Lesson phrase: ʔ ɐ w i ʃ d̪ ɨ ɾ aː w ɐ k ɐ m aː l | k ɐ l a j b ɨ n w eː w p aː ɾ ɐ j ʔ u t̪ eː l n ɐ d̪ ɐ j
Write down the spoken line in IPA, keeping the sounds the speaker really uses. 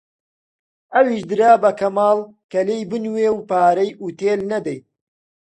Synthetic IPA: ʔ ɐ w i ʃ d̪ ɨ ɾ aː b ɐ k ɐ m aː l | k ɐ l e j b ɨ n w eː w p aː ɾ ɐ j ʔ u t̪ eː l n ɐ d̪ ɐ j